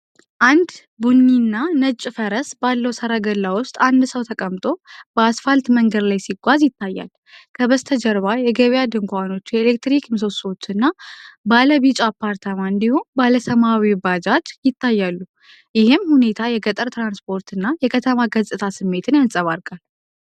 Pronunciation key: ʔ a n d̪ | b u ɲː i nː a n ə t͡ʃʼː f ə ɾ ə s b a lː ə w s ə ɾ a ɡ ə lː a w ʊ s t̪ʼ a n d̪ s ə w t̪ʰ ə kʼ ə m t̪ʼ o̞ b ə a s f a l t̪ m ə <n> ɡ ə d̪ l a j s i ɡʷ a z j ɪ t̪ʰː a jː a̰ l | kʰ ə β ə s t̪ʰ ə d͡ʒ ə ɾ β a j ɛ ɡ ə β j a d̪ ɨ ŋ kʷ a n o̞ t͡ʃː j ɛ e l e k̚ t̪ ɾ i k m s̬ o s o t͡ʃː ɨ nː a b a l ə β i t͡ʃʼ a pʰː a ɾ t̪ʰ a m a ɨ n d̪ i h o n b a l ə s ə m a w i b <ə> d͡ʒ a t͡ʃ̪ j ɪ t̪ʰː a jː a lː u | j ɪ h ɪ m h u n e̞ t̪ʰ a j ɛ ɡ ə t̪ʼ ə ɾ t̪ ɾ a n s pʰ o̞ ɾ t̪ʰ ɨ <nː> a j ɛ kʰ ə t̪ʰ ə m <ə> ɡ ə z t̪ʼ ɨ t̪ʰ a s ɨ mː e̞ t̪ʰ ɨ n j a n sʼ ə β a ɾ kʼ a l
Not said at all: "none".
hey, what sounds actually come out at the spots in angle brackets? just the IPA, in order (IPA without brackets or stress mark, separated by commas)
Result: ŋ, a, nː, a